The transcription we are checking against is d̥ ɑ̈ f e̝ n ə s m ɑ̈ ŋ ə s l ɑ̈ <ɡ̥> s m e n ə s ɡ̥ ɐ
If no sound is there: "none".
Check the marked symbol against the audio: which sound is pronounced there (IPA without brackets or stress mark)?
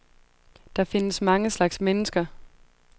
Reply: ɡ̥